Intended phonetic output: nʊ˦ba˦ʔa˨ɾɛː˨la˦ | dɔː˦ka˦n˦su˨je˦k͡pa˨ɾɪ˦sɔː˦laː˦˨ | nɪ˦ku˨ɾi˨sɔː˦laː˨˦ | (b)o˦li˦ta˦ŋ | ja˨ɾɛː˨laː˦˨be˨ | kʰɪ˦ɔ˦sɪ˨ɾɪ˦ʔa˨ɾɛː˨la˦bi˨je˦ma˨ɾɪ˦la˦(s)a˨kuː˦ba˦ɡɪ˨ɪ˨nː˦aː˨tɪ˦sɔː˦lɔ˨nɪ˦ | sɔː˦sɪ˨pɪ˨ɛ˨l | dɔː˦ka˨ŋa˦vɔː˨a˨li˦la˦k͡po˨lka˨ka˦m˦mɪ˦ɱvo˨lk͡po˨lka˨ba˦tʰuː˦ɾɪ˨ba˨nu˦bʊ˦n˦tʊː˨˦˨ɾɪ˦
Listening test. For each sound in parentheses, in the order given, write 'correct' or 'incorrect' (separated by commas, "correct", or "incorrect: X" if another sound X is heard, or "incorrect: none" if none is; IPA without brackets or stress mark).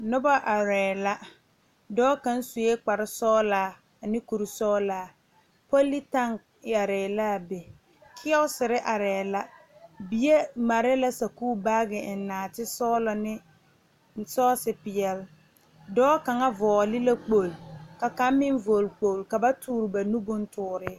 incorrect: p, correct